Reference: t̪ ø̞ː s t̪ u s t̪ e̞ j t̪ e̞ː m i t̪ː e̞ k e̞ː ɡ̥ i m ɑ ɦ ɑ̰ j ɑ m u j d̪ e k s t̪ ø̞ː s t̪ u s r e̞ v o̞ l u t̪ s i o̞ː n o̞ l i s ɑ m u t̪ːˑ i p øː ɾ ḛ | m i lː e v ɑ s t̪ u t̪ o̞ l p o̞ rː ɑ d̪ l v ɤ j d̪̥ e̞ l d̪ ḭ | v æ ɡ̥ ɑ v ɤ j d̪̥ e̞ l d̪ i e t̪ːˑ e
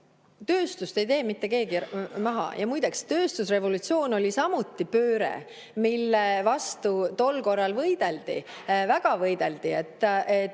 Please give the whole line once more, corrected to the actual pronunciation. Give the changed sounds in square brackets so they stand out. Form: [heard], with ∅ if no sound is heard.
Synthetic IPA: t̪ ø̞ː s t̪ u s t̪ e̞ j t̪ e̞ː m i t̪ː e̞ k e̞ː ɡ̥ i m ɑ ɦ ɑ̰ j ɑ m u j d̪ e k s t̪ ø̞ː s t̪ u s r e̞ v o̞ l u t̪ s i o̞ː n o̞ l i s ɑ m u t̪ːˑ i p øː ɾ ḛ | m i lː e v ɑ s t̪ u t̪ o̞ l [k] o̞ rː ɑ [∅] l v ɤ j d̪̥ e̞ l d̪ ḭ | v æ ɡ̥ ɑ v ɤ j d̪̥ e̞ l d̪ i e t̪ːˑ e